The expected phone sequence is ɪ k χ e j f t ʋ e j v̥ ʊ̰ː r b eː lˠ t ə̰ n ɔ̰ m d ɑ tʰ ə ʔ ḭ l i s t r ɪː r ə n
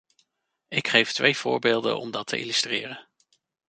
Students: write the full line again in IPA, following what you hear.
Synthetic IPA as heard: ɪ k χ e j f t ʋ e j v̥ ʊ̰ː ɹ b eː lˠ d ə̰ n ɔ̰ m d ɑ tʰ ə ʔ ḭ l y s t r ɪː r ə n